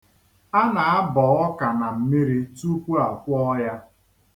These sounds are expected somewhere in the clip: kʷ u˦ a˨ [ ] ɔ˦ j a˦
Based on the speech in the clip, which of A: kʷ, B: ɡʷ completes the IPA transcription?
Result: A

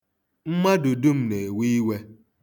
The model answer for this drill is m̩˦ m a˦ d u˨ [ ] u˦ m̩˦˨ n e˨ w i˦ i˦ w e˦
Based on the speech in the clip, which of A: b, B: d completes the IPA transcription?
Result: B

